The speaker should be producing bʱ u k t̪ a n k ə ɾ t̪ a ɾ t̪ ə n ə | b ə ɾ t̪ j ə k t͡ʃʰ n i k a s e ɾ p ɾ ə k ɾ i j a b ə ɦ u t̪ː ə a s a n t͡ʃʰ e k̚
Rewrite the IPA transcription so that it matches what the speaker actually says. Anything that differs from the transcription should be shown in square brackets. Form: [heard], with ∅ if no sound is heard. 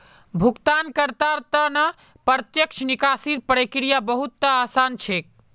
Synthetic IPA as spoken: bʱ u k t̪ a n k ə ɾ t̪ a ɾ t̪ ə n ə | [p] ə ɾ t̪ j ə k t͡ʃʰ n i k a s [i] ɾ p ɾ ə k ɾ i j a b ə ɦ u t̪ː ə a s a n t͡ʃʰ e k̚